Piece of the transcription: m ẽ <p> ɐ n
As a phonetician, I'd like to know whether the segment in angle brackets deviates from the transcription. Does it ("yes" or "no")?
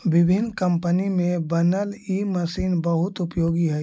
yes